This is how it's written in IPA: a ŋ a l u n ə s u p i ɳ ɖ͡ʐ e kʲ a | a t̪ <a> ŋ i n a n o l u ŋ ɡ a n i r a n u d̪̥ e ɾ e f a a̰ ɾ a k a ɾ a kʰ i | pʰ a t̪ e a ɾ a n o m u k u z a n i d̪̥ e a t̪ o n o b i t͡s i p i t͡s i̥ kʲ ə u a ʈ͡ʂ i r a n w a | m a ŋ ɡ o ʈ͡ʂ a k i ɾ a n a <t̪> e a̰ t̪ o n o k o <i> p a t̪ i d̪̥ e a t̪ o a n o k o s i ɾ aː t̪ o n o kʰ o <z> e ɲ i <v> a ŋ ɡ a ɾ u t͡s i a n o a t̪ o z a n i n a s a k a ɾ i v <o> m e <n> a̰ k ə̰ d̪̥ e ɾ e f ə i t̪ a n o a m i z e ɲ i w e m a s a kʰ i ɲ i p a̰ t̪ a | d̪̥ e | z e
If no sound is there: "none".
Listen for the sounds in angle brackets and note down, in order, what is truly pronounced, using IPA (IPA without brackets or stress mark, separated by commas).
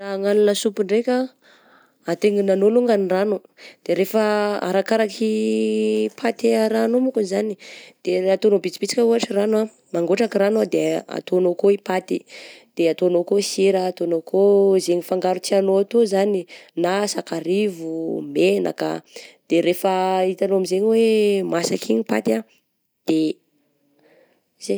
e, d̪, i, z, f, u, n